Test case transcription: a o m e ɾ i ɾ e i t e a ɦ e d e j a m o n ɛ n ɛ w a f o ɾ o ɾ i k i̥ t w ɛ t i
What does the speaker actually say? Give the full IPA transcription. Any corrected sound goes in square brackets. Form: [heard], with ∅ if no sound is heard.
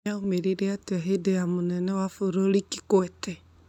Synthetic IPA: a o m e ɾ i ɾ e [a] t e a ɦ e d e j a m o n ɛ n ɛ w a f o ɾ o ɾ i k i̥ [k] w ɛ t [ɛ]